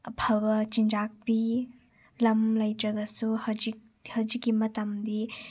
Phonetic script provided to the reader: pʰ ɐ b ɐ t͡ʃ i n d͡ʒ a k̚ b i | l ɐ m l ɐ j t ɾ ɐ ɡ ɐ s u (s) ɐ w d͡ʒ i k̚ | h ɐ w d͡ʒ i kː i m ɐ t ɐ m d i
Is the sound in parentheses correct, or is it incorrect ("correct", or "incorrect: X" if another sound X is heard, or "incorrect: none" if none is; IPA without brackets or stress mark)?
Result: incorrect: h